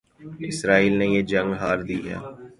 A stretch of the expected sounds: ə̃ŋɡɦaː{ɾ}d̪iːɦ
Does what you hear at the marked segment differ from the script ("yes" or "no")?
no